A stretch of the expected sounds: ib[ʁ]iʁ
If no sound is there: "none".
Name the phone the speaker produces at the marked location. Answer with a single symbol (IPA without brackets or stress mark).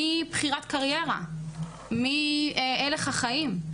χ